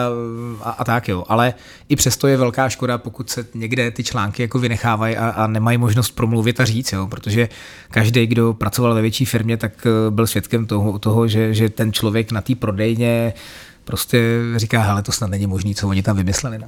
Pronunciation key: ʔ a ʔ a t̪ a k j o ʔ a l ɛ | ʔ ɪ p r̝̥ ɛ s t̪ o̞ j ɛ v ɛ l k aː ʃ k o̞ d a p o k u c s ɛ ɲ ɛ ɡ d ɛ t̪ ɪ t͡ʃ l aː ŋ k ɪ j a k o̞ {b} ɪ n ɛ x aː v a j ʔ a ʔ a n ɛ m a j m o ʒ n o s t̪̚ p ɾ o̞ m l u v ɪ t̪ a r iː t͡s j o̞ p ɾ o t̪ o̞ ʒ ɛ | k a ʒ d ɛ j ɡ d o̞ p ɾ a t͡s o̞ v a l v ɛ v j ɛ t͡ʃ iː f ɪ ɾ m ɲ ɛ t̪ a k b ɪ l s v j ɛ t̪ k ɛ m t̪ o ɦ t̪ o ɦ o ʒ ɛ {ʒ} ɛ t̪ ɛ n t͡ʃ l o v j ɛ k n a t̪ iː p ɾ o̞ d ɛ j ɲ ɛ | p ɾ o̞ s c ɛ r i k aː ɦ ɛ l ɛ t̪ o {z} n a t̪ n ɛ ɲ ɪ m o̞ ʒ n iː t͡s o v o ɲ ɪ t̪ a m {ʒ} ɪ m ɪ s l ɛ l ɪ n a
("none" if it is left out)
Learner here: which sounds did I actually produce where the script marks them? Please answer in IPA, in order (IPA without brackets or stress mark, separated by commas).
v, ʒ, s, v